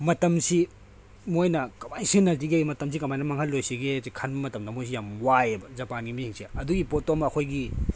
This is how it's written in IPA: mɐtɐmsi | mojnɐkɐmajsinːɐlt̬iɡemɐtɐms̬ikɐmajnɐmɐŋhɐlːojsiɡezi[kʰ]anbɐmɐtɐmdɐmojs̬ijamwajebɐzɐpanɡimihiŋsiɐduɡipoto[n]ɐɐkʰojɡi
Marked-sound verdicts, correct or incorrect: correct, incorrect

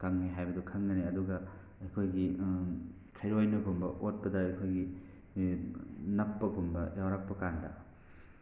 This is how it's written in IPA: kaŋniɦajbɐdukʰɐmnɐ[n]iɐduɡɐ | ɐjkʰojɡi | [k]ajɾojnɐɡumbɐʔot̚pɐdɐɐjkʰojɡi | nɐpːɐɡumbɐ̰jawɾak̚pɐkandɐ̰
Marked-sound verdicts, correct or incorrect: correct, incorrect

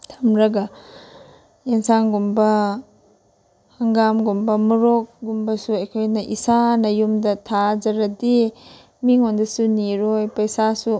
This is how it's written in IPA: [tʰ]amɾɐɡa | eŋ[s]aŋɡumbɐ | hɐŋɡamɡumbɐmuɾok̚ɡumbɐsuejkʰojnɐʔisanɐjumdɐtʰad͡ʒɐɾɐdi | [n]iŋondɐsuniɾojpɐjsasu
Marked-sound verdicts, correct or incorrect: correct, correct, incorrect

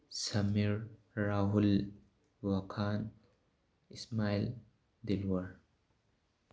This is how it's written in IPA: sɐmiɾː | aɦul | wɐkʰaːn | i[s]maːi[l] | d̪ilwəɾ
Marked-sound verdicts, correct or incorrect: correct, correct

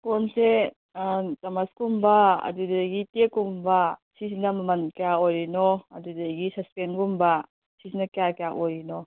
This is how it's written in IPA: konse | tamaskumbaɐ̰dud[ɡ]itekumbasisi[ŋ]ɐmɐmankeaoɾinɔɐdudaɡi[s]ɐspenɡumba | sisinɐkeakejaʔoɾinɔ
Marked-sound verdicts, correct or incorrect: correct, incorrect, correct

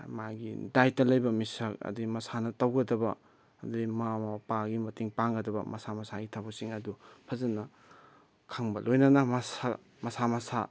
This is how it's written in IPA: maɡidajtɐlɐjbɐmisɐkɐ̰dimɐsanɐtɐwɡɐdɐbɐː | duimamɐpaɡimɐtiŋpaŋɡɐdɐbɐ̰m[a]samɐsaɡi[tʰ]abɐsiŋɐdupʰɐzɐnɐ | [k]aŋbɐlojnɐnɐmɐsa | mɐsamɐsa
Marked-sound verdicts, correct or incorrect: incorrect, correct, incorrect

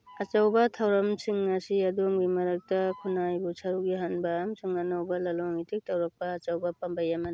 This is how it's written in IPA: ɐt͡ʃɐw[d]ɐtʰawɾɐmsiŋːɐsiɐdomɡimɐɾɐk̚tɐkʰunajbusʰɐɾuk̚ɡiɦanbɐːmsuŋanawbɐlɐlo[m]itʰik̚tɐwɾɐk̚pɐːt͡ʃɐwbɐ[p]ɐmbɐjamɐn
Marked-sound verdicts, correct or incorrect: incorrect, incorrect, correct

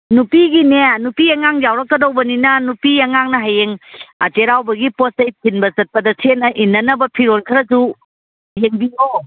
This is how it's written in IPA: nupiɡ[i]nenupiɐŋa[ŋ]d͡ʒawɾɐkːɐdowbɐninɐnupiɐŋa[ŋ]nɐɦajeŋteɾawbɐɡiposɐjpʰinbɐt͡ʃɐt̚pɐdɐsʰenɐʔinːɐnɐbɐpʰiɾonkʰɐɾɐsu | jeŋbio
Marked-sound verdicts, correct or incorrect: correct, correct, correct

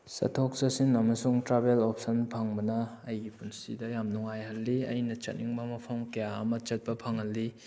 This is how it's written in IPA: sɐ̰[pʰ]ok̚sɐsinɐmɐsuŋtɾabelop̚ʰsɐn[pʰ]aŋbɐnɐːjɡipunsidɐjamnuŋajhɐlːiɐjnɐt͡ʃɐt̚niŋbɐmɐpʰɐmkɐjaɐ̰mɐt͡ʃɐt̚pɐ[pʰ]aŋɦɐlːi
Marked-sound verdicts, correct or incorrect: incorrect, correct, correct

